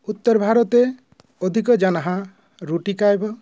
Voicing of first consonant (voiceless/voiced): voiceless